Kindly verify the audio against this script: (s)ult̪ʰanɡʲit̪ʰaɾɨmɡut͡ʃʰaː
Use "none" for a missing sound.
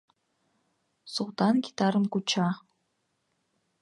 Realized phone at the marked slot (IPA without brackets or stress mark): s